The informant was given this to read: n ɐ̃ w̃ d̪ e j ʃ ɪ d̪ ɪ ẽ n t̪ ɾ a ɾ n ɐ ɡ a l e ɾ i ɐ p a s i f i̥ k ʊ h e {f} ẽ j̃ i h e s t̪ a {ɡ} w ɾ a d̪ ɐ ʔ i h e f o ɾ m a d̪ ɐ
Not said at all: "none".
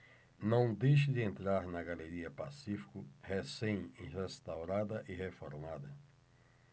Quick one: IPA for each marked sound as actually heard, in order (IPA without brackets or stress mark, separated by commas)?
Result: s, none